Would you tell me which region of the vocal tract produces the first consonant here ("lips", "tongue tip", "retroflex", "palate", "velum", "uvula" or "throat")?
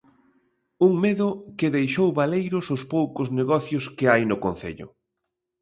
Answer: velum